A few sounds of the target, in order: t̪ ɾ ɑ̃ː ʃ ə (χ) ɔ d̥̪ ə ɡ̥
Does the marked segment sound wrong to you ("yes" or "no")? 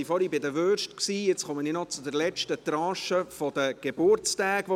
yes